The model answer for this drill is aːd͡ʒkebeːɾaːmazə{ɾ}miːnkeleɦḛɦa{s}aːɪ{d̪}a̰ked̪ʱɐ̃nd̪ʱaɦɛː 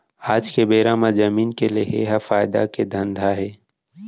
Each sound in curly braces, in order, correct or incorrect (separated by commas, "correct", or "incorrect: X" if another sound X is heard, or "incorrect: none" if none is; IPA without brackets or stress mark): incorrect: none, incorrect: f, correct